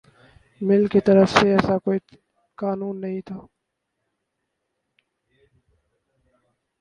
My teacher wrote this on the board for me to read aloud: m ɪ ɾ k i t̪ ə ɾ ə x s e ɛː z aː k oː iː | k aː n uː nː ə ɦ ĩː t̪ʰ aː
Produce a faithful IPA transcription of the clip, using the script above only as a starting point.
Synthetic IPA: m ɪ l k i t̪ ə ɾ ə f s e ɛː s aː k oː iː | k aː n uː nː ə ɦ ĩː t̪ʰ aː